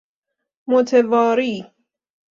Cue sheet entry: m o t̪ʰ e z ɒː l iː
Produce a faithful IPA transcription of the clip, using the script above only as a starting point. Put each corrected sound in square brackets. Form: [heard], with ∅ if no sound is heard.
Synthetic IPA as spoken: m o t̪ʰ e [v] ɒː [ɾ] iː